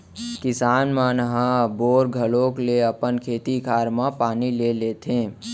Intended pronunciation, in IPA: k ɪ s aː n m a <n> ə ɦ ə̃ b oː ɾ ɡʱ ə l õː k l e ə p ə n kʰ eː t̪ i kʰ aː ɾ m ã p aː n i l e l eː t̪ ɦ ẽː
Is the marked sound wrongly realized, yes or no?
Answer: no